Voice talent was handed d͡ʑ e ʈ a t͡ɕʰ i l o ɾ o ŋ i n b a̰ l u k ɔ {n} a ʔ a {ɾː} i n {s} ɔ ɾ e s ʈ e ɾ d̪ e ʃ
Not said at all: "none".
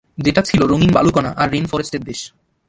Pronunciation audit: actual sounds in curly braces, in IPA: n, ɾː, f

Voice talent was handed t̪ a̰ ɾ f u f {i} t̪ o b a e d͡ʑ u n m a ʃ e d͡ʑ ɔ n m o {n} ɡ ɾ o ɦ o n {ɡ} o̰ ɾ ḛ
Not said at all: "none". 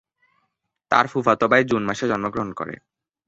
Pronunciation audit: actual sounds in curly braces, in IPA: a, none, k

